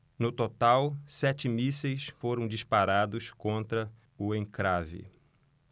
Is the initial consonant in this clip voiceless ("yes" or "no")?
no